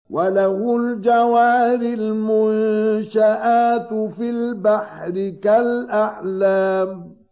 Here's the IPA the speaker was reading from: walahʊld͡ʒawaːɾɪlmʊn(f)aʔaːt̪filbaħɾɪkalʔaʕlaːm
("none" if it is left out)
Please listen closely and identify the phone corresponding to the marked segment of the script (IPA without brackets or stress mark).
ʃ